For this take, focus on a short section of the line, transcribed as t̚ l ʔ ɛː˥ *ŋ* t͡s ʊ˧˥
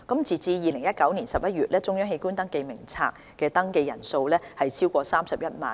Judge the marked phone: incorrect: none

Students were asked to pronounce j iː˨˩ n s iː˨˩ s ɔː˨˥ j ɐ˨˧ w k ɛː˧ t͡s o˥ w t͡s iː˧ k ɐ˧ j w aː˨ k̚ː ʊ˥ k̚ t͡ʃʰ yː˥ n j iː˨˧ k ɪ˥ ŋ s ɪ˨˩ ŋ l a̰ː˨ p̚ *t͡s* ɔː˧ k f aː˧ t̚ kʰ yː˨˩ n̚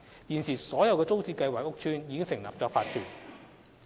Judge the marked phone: correct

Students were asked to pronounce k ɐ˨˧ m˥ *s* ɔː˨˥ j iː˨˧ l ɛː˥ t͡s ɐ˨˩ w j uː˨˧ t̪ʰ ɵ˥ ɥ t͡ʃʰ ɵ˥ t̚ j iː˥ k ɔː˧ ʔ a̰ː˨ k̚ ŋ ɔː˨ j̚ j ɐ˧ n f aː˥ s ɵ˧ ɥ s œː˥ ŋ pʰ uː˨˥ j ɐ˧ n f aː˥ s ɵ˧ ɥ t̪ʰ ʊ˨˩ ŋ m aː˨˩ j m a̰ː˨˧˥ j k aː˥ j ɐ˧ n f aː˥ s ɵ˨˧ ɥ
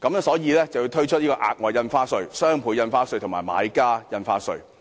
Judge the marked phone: correct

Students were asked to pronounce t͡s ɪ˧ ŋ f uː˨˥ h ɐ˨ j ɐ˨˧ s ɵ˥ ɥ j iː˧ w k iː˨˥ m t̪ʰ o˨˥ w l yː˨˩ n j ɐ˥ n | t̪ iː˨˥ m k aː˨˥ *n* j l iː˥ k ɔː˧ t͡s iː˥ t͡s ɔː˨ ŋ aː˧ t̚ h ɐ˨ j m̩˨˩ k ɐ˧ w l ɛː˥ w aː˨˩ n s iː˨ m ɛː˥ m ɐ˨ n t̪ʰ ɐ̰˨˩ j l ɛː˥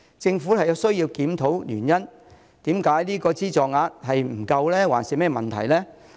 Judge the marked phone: incorrect: none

